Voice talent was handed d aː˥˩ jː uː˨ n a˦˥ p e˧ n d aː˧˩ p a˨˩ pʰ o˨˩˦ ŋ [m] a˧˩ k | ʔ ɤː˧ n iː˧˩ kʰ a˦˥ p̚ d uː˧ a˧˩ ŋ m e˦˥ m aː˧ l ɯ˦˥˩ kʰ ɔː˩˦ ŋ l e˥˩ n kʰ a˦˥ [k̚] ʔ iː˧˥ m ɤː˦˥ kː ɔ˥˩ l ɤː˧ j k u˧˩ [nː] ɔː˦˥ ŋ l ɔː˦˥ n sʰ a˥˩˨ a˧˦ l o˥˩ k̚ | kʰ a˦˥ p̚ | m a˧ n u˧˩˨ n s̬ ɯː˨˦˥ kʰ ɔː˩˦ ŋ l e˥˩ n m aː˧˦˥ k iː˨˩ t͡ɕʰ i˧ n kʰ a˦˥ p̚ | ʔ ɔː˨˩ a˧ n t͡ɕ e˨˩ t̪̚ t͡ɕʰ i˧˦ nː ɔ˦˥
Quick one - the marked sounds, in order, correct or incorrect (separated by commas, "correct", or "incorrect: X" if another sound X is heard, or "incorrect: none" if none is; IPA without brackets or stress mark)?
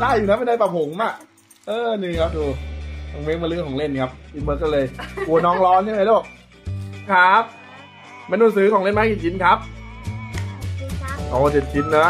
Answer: correct, incorrect: p̚, incorrect: n